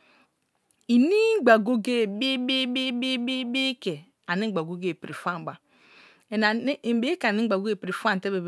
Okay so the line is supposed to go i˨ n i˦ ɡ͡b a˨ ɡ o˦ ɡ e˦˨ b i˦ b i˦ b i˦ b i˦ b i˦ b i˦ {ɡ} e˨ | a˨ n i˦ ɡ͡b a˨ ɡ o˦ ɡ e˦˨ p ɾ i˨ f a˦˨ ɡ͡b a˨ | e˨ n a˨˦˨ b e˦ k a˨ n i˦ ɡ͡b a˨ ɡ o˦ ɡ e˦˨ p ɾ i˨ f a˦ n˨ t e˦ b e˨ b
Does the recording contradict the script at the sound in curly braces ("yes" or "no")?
yes